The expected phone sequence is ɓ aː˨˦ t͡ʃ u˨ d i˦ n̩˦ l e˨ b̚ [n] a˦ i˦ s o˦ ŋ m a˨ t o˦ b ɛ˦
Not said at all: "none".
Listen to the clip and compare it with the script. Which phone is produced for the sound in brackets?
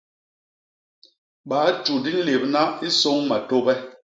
n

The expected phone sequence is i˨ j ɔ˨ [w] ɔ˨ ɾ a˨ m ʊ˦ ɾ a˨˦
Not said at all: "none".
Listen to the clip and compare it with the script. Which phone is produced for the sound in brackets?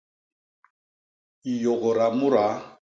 ɣ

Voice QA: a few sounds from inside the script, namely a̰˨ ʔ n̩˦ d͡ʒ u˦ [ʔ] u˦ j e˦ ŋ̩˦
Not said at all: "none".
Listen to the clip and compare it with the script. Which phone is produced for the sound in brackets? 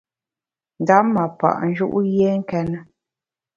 ʔ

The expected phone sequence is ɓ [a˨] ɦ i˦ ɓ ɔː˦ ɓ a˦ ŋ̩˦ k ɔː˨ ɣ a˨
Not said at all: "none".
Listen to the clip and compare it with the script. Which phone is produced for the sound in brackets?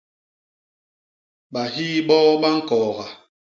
a˨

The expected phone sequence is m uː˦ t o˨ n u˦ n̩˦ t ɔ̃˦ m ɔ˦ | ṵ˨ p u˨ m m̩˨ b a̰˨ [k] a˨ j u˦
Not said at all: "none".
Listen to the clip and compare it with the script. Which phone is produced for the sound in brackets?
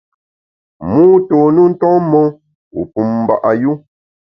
ʔ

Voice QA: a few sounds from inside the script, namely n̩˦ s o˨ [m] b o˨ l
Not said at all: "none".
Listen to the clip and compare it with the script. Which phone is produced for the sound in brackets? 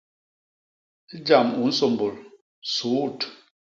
m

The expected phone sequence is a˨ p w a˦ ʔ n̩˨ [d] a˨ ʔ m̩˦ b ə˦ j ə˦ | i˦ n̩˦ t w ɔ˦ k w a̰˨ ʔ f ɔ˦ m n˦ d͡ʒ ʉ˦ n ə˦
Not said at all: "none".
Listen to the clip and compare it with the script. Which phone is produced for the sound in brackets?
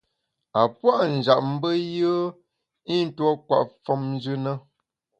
d͡ʒ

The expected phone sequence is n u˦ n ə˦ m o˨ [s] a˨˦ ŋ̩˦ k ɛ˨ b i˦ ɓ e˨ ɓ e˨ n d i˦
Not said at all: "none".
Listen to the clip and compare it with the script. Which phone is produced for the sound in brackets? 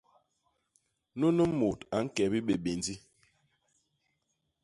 t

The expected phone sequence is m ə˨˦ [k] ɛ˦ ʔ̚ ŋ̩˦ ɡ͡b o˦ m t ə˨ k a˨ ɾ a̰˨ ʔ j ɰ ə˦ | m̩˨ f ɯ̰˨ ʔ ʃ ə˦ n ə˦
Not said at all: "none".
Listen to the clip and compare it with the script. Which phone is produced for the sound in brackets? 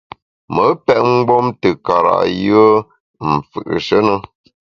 p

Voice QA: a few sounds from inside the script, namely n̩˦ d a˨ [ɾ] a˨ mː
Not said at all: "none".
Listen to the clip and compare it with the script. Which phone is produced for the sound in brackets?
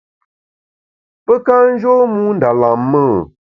l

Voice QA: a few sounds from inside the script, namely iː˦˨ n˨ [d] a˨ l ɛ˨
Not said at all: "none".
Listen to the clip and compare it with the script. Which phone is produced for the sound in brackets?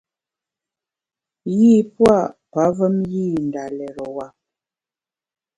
d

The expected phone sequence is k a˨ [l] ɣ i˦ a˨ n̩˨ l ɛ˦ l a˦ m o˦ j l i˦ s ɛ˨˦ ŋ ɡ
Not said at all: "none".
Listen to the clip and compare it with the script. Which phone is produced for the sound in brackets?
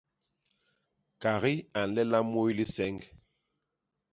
none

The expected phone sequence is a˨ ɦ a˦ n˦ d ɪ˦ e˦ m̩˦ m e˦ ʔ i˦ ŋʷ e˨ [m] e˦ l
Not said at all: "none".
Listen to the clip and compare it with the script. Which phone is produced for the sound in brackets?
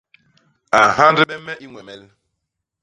m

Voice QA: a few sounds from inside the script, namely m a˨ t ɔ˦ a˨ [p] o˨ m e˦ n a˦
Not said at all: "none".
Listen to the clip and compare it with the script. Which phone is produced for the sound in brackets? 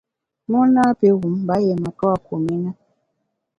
k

